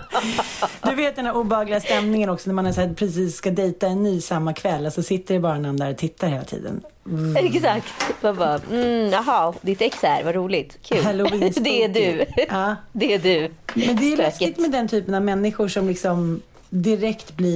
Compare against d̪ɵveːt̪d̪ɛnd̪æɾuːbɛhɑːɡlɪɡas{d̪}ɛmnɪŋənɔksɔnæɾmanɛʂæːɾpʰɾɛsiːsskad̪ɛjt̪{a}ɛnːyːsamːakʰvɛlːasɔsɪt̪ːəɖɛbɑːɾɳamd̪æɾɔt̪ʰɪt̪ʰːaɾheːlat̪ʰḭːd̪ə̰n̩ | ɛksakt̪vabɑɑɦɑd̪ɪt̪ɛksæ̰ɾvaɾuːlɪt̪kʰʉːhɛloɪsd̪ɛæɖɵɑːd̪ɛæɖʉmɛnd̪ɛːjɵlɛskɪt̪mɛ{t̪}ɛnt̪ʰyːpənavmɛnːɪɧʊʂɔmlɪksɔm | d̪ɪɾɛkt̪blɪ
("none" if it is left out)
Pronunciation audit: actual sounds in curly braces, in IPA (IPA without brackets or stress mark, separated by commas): t̪, a, d̪